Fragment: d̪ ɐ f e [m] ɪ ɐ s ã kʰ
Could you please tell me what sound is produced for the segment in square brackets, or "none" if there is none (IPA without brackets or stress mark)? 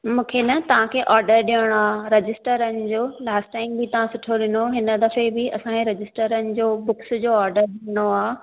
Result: b